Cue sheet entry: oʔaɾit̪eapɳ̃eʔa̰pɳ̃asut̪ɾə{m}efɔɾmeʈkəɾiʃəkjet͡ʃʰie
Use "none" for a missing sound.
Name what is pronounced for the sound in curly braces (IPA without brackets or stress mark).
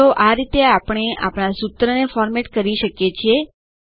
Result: n